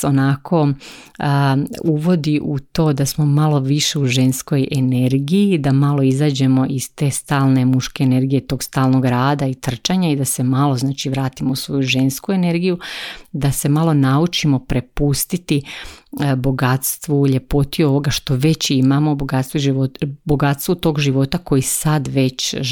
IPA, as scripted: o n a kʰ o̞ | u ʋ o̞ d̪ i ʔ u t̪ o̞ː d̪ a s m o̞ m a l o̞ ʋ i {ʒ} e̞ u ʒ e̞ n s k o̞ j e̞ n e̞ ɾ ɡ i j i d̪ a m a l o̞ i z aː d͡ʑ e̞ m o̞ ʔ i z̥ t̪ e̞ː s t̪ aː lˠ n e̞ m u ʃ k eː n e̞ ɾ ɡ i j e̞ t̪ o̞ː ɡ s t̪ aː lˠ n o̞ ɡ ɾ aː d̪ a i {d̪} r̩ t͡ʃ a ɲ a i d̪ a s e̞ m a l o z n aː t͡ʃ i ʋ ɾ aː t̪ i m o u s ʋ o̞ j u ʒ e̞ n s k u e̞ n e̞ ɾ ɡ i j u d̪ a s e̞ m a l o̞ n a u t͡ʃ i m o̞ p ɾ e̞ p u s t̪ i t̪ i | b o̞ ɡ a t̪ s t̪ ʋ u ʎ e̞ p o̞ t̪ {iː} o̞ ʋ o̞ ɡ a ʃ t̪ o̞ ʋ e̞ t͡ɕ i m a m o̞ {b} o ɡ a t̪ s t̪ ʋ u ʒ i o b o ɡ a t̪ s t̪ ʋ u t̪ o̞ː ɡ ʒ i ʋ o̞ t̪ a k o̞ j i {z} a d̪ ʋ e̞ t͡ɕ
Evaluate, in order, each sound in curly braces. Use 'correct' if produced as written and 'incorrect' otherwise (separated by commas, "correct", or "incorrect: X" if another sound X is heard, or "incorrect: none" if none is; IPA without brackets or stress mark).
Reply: incorrect: ʃ, incorrect: t̪, incorrect: i, correct, incorrect: s